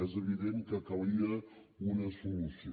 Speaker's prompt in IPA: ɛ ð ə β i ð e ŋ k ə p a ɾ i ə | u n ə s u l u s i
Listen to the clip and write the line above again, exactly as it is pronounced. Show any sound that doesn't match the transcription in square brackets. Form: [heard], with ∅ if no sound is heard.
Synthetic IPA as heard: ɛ [z] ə β i ð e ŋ k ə [k] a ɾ i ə | u n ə s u l u s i